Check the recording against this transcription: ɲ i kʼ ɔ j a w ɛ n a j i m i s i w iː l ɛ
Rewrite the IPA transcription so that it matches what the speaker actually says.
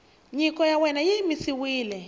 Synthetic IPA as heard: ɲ i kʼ ɔ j a w ɛ n a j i m i s i w iː l ɛ